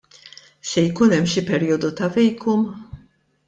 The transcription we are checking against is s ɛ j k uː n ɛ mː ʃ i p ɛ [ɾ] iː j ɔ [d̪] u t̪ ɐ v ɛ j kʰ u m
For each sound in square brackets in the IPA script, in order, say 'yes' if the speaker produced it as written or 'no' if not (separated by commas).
yes, yes